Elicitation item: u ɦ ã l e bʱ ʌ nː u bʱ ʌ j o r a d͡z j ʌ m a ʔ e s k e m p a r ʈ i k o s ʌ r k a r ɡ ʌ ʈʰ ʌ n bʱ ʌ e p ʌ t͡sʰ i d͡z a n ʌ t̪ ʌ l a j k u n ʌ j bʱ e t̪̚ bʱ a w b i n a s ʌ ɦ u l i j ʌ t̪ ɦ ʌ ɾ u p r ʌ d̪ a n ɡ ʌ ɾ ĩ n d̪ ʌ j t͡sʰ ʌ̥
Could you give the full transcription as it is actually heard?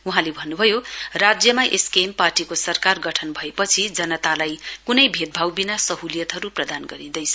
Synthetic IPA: u ɦ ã l e bʱ ʌ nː u bʱ ʌ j o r a d͡z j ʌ m a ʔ e s k e m p a r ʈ i k o s ʌ r k a r ɡ ʌ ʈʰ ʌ n bʱ ʌ e p ʌ t͡sʰ i d͡z ʌ n ʌ t̪ a l a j k u n ʌ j bʱ e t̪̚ bʱ a w b i n a s ʌ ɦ u l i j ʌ t̪ ɦ ʌ ɾ u p r ʌ d̪ a n ɡ ʌ ɾ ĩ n d̪ ʌ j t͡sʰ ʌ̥